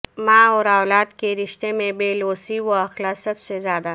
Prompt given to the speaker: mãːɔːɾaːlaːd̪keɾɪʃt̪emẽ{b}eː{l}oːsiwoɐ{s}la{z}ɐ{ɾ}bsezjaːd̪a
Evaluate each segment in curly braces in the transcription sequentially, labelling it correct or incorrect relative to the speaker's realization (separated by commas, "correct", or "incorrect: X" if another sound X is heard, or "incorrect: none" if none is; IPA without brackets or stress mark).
correct, correct, incorrect: x, incorrect: s, incorrect: none